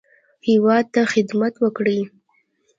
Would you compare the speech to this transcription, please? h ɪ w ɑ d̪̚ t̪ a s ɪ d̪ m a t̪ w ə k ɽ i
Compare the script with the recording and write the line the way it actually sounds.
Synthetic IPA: h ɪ w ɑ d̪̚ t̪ a x ɪ d̪ m a t̪ w ə k ɽ i